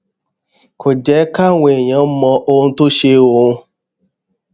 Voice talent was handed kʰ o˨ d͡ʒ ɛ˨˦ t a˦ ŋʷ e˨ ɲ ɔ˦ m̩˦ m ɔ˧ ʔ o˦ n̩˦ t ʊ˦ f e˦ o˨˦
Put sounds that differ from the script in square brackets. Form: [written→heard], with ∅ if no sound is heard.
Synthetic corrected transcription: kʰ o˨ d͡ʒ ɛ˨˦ [t→k] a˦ ŋʷ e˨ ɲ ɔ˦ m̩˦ m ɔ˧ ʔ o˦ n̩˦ t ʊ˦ [f→ʃ] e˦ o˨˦